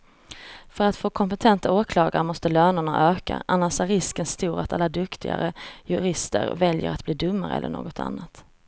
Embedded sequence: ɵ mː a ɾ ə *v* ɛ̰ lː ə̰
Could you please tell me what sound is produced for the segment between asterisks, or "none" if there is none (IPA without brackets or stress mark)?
none